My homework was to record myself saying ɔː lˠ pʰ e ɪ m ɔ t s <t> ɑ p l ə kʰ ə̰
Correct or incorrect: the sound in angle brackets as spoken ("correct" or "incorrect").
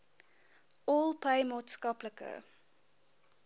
incorrect